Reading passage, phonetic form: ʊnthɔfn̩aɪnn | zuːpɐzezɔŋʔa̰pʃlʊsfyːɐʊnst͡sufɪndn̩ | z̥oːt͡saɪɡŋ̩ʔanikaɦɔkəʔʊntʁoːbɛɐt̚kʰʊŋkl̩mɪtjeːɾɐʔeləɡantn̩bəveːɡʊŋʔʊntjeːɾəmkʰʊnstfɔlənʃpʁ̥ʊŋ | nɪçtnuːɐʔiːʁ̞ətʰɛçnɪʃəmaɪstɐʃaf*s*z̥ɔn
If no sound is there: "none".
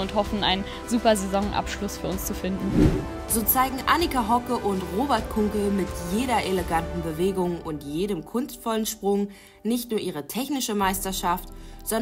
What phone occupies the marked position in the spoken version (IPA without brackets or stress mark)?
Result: t